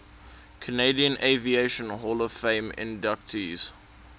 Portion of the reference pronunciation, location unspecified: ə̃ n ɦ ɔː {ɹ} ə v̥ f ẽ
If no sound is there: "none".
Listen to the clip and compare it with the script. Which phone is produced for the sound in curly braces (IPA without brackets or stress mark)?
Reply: l